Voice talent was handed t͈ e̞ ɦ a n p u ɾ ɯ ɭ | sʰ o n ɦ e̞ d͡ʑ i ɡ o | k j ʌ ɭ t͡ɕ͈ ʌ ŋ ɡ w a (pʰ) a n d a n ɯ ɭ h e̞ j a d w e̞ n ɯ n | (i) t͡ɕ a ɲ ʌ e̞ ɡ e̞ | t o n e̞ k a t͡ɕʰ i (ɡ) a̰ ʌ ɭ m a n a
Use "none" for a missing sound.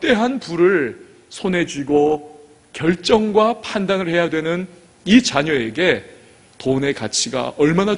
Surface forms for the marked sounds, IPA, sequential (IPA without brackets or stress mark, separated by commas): pʰ, i, ɡ